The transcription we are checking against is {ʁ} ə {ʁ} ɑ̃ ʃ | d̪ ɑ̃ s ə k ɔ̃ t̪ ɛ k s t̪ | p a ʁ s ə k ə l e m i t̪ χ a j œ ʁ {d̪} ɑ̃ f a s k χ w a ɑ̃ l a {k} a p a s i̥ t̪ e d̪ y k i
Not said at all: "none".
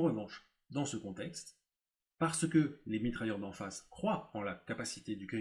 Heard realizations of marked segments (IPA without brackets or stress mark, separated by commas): ʁ, v, d̪, k